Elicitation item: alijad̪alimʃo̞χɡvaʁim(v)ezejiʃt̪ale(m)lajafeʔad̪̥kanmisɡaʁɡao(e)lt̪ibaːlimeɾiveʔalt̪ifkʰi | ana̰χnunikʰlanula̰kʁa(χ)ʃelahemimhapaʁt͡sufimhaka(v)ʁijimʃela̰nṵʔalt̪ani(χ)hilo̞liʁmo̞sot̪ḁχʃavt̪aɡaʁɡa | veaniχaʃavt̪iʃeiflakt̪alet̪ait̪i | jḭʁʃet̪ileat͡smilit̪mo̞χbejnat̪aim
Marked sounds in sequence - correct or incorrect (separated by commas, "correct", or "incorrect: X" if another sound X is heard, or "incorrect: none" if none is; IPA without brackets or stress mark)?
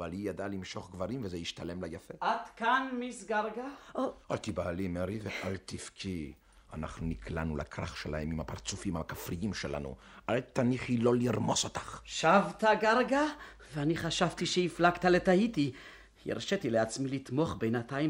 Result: correct, correct, incorrect: a, correct, incorrect: f, correct